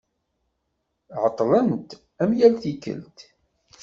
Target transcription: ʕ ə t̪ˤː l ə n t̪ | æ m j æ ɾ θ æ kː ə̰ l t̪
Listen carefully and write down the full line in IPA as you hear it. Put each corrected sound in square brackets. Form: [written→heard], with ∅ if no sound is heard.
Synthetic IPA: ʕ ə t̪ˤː l ə n t̪ | æ m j æ [ɾ→l] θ [æ→i] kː ə̰ l t̪